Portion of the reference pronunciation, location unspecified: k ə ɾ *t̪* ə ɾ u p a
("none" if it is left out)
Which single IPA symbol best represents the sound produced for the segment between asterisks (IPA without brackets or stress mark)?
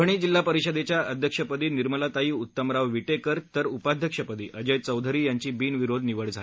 t̪